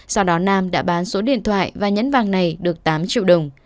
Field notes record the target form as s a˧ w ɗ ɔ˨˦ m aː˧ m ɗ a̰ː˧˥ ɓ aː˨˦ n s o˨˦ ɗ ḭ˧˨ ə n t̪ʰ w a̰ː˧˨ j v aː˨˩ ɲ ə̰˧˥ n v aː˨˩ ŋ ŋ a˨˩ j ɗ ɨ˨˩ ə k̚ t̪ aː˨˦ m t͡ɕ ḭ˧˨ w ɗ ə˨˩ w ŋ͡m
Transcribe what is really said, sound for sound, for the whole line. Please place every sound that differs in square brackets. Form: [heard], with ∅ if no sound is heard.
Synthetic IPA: s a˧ w ɗ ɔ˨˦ [n] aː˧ m ɗ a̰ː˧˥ ɓ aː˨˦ n s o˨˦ ɗ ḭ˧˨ ə n t̪ʰ w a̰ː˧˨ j v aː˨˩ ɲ ə̰˧˥ n v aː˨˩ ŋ [n] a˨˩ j ɗ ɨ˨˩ ə k̚ t̪ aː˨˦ m t͡ɕ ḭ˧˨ w ɗ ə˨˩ w ŋ͡m